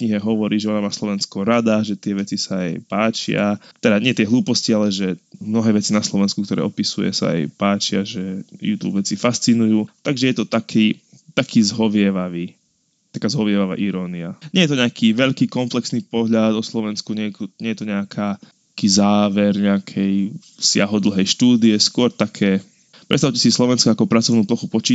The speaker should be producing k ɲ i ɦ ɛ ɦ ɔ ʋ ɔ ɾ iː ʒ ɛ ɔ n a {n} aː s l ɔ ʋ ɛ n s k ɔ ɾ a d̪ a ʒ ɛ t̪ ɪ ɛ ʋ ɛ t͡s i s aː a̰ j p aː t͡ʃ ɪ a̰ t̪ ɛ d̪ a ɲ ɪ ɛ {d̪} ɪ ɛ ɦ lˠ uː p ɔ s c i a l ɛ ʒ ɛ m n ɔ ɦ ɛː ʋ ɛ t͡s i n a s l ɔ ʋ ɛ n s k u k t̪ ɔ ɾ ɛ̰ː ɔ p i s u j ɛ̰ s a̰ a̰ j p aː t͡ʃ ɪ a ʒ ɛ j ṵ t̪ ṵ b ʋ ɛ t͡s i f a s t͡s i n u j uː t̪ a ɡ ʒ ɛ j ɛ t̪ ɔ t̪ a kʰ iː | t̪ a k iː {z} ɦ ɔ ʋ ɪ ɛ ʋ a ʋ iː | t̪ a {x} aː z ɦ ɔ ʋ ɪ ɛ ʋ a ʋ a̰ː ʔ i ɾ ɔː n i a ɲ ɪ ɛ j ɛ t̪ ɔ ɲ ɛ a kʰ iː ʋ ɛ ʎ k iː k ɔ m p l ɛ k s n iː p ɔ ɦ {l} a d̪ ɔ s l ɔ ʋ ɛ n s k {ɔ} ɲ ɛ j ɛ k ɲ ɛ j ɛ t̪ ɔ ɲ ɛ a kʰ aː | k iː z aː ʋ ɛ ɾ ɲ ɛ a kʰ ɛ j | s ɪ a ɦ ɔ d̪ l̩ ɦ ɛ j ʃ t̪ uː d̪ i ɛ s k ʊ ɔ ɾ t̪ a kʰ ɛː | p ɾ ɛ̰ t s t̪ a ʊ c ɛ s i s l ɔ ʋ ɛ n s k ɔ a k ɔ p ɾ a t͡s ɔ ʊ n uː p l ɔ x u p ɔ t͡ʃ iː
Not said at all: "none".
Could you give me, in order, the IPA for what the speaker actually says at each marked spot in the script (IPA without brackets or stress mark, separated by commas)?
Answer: m, t̪, z, k, ʎ, u